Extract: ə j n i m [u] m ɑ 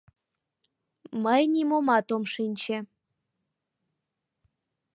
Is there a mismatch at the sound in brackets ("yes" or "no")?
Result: yes